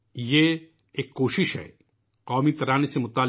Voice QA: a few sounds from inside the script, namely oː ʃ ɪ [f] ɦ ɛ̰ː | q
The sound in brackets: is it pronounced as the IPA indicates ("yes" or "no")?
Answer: no